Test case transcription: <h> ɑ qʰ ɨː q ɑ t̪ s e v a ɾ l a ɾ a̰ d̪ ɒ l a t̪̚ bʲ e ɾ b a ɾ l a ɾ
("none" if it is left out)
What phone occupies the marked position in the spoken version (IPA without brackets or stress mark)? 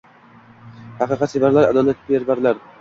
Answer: h